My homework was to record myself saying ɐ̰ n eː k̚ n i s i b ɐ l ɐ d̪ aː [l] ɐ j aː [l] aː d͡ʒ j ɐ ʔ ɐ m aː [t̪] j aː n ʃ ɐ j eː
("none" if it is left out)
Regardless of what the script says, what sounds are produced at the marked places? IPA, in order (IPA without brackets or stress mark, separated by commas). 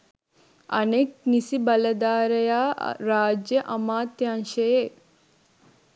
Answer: ɾ, ɾ, t̪